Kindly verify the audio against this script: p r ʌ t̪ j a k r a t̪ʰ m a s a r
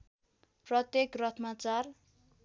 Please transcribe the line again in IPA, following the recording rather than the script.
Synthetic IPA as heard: p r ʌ t̪ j e k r ʌ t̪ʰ m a t͡s a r

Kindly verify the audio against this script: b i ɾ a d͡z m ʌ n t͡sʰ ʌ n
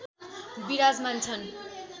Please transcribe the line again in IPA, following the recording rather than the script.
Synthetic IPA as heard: b i ɾ a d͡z m a n t͡sʰ ʌ n

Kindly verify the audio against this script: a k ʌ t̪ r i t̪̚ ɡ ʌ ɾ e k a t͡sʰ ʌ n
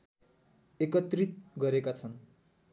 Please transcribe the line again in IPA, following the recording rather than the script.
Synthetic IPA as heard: e k ʌ t̪ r i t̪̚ ɡ ʌ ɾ e k a t͡sʰ ʌ n

